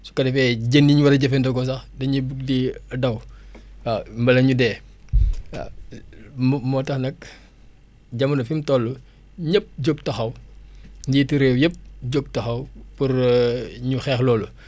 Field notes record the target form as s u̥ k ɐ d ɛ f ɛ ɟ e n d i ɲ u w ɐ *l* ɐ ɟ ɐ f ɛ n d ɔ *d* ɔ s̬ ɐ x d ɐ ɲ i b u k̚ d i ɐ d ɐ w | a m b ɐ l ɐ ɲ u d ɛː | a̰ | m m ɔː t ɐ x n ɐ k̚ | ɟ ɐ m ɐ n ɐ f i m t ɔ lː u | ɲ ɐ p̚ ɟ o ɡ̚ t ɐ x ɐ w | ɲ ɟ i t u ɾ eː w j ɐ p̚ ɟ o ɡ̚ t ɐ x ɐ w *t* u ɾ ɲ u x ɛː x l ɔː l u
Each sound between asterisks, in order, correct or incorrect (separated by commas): incorrect, incorrect, incorrect